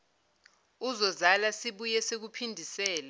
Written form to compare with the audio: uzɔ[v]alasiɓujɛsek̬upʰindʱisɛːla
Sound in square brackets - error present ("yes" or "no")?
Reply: yes